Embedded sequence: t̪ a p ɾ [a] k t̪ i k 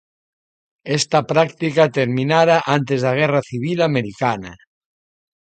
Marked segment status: correct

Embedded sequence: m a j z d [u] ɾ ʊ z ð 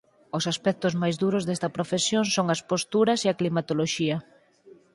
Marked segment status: correct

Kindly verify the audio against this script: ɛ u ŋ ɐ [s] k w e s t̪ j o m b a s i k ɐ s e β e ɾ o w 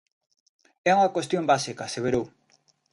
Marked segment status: incorrect: none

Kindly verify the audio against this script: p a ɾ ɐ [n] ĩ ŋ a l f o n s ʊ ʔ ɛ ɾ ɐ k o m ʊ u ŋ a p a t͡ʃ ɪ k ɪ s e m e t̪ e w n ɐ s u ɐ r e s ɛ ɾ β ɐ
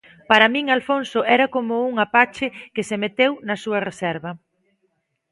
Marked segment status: incorrect: m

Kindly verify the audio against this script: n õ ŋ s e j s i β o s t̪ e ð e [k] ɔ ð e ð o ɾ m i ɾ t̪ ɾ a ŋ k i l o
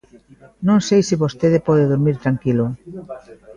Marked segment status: incorrect: p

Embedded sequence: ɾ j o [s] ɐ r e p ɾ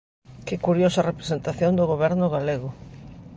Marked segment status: correct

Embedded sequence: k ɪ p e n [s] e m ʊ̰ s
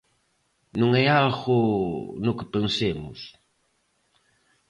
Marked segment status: correct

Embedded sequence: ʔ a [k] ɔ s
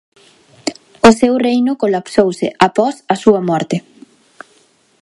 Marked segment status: incorrect: p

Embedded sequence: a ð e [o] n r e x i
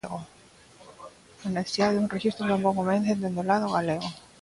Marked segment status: incorrect: u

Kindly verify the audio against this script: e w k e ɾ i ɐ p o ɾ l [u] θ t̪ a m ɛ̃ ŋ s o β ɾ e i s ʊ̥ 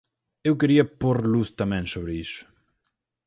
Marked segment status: correct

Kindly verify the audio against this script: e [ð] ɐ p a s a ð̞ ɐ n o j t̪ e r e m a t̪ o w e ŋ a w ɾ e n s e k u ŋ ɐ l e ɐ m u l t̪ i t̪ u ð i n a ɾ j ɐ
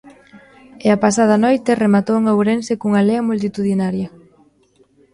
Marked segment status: incorrect: none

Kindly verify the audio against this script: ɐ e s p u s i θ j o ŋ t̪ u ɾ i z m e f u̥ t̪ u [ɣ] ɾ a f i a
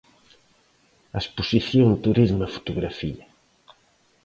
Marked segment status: correct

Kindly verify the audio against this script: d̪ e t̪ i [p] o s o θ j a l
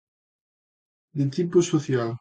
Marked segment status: correct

